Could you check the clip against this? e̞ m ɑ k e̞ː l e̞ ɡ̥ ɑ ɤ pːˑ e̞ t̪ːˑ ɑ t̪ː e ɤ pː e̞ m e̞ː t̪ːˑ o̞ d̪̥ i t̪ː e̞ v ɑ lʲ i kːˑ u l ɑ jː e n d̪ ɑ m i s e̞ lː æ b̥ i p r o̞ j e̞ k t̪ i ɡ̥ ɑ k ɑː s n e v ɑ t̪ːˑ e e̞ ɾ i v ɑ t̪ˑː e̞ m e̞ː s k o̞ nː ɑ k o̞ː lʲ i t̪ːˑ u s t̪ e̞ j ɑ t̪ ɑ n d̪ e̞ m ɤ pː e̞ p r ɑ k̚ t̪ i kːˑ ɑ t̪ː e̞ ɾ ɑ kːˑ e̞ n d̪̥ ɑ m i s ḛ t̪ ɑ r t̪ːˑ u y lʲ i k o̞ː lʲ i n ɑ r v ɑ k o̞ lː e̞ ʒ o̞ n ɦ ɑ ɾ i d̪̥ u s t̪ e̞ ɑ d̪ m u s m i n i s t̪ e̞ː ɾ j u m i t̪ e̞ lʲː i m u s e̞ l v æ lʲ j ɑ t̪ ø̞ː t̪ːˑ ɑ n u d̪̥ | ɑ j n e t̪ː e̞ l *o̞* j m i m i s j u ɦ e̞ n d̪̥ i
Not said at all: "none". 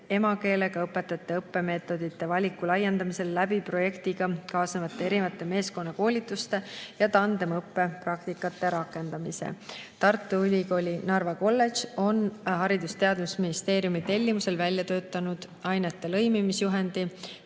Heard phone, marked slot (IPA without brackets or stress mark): ɤ̞